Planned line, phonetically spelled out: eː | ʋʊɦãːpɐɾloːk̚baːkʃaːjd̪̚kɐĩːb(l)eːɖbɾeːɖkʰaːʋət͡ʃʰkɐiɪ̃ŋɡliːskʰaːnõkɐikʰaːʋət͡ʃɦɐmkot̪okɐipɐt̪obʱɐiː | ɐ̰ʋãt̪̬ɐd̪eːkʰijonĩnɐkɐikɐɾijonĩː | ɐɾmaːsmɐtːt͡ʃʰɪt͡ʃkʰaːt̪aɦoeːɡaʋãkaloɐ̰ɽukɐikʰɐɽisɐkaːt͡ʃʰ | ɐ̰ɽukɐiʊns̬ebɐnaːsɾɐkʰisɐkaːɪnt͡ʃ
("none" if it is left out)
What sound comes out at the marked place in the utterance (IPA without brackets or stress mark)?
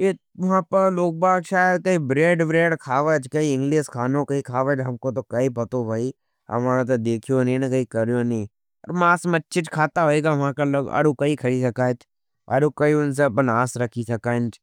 ɾ